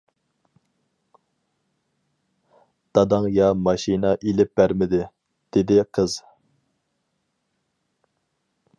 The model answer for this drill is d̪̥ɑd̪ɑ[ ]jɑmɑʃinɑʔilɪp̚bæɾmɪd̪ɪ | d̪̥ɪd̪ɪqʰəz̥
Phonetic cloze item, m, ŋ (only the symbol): ŋ